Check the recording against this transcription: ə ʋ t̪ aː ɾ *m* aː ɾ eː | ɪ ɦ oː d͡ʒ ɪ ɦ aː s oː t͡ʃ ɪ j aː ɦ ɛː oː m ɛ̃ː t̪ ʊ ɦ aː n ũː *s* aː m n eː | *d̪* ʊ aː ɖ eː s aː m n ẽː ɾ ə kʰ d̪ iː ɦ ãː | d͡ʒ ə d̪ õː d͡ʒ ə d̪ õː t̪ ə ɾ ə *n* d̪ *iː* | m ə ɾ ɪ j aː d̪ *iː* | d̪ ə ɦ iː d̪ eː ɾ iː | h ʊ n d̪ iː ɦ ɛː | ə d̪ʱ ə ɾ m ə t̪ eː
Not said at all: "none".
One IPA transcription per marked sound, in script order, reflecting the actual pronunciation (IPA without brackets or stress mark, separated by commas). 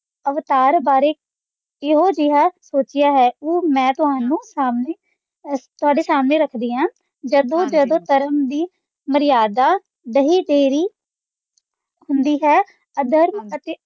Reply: b, s, t̪, m, iː, aː